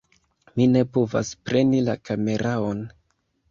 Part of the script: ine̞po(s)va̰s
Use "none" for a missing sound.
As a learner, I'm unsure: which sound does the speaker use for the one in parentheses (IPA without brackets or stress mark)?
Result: none